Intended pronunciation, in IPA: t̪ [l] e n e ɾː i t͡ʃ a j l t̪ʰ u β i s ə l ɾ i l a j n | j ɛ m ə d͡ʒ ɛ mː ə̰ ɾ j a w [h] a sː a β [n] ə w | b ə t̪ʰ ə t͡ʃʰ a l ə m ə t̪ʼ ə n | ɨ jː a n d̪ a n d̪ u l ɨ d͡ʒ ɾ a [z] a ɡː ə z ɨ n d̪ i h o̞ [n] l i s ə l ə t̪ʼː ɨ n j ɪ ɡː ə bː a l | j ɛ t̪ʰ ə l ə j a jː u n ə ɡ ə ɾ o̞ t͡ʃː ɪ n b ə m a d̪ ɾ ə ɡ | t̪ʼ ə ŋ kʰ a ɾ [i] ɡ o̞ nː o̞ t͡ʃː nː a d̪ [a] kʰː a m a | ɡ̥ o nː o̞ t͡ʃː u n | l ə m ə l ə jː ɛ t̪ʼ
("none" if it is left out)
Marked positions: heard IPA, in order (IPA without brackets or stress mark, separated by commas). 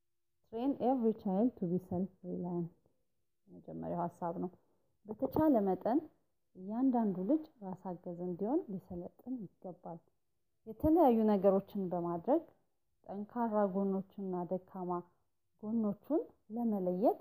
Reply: ɾ, h, n, s, n, a, ə